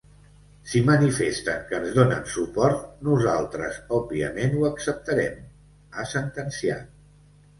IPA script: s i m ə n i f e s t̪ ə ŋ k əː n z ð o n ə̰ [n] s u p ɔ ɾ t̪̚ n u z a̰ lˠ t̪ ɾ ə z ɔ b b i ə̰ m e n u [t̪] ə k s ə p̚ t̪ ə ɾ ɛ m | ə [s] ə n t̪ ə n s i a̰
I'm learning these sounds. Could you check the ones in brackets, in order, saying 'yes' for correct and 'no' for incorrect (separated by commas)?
yes, no, yes